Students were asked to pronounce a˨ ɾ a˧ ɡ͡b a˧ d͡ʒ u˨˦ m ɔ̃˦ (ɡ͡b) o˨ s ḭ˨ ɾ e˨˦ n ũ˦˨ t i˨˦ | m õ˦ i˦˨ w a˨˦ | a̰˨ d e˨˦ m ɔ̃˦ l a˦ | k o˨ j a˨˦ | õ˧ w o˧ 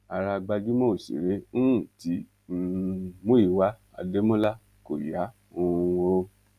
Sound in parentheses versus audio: incorrect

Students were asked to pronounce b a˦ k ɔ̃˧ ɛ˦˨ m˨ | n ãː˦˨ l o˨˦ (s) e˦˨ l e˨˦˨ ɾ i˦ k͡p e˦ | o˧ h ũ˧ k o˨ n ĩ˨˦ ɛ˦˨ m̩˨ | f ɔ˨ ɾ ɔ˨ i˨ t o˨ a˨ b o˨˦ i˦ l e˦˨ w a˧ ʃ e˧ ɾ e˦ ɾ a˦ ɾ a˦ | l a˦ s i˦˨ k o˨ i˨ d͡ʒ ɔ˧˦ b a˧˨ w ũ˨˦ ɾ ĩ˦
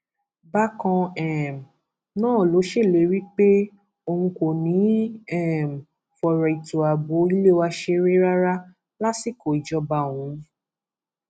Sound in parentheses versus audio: incorrect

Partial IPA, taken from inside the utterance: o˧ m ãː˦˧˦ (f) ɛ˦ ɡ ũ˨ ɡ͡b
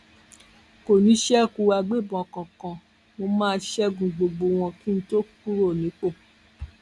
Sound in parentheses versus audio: incorrect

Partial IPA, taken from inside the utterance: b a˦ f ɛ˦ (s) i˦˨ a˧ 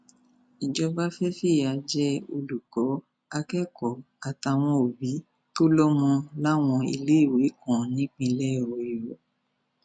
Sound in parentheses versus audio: incorrect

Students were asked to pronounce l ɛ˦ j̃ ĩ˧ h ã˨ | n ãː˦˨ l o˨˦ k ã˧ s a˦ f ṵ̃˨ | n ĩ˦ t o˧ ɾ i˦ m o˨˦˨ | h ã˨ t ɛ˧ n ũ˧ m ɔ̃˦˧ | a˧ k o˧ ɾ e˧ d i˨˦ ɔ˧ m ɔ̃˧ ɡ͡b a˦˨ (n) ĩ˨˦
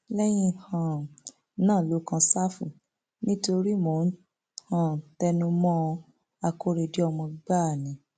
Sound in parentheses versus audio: correct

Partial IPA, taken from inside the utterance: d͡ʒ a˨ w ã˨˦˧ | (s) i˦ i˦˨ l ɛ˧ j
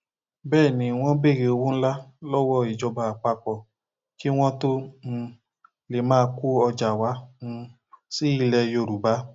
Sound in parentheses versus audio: correct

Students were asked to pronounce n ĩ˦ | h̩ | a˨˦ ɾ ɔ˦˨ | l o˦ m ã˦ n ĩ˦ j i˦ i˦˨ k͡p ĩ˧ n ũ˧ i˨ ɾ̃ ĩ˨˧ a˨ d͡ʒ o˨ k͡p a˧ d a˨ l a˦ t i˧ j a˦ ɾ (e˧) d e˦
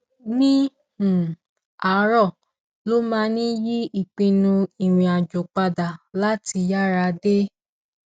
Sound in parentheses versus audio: incorrect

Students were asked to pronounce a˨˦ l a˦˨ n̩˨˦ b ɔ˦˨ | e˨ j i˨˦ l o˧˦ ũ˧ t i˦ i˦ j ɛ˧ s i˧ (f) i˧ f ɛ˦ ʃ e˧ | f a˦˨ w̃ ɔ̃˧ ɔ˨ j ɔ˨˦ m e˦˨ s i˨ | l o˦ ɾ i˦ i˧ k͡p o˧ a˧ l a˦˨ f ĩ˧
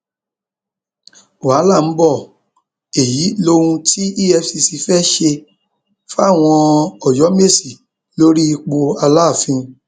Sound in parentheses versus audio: incorrect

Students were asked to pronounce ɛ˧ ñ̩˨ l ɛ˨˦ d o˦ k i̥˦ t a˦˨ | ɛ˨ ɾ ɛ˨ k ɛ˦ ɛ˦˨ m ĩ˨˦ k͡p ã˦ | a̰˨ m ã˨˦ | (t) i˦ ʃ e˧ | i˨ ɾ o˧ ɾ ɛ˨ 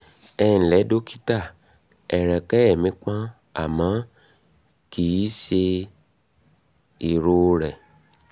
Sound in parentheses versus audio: incorrect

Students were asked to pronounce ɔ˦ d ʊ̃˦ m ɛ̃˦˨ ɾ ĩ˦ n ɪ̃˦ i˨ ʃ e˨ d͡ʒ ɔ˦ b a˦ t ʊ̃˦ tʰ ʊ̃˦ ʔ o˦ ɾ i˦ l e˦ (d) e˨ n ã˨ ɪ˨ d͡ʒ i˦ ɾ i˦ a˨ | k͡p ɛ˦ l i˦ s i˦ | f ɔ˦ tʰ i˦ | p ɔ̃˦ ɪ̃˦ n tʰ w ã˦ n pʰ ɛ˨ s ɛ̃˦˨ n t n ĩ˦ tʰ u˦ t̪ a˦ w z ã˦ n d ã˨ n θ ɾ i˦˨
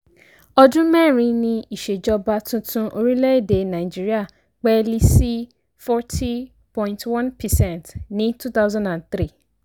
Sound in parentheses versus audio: correct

